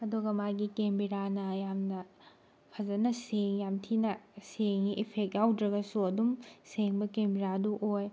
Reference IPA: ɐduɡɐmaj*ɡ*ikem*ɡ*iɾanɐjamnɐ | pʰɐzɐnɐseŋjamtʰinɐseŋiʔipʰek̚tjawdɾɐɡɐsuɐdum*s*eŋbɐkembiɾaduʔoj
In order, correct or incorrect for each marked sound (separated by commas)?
correct, incorrect, correct